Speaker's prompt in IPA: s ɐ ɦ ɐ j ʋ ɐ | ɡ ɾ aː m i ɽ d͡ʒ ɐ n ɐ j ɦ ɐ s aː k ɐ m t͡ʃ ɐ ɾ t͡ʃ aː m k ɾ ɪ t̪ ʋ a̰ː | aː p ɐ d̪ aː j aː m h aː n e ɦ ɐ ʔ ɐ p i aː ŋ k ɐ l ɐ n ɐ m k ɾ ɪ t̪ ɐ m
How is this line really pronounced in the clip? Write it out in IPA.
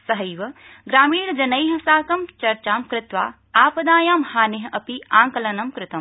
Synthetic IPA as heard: s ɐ ɦ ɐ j ʋ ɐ | ɡ ɾ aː m iː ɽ d͡ʒ ɐ n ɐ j ɦ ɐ s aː k ɐ m t͡ʃ ɐ ɾ t͡ʃ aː m k ɾ ɪ t̪ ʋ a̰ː | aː p ɐ d̪ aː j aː m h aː n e ɦ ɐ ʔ ɐ p i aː ŋ k ɐ l ɐ n ɐ m k ɾ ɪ t̪ ɐ m